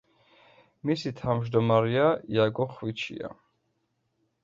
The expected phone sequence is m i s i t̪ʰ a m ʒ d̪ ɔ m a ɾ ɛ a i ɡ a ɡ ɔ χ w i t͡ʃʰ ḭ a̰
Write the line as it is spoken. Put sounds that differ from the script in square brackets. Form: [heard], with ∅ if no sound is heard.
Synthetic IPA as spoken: m i s i t̪ʰ a m ʒ d̪ ɔ m a ɾ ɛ a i [∅] a ɡ ɔ χ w i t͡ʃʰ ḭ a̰